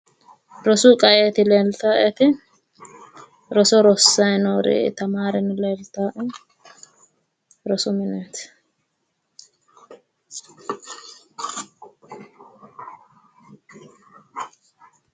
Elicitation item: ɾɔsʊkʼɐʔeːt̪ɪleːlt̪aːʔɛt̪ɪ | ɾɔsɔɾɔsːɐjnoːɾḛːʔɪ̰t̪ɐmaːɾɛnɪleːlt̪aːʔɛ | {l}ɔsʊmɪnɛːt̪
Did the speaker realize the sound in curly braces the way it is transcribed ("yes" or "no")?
no